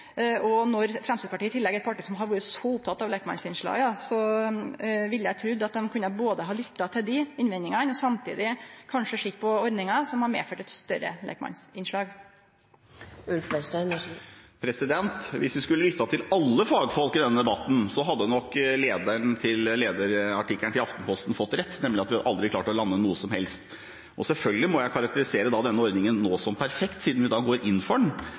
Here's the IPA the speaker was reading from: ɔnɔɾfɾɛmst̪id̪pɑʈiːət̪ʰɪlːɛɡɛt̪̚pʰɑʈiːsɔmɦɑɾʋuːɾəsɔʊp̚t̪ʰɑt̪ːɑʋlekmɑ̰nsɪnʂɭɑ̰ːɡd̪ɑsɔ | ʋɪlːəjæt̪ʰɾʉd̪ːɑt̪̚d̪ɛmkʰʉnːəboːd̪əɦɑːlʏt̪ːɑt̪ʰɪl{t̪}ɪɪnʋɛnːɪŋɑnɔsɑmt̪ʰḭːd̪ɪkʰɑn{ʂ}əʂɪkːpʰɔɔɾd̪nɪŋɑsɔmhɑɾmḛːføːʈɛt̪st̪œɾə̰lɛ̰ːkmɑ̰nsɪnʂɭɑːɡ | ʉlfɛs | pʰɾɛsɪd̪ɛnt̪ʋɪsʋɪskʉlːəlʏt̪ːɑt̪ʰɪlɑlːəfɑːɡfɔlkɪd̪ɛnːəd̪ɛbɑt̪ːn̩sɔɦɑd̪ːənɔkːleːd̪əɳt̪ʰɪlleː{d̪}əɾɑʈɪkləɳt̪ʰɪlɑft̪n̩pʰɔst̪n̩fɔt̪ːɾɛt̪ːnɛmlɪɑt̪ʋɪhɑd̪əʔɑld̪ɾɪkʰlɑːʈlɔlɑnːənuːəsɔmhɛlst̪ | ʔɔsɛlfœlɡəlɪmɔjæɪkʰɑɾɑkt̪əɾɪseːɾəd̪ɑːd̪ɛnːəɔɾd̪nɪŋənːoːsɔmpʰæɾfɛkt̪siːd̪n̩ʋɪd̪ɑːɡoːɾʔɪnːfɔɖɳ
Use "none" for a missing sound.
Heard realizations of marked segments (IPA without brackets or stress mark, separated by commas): d̪, ʂ, d̪